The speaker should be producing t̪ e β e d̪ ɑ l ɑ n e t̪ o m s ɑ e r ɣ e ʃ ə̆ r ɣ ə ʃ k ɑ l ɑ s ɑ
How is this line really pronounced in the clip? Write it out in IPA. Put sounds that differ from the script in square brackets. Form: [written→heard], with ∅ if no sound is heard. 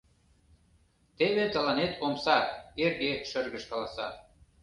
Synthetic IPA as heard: t̪ e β e [d̪→t̪] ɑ l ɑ n e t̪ o m s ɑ e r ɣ e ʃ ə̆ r ɣ ə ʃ k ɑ l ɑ s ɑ